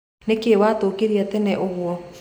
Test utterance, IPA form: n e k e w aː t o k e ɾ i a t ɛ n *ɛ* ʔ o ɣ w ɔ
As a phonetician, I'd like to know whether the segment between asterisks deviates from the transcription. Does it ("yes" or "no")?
no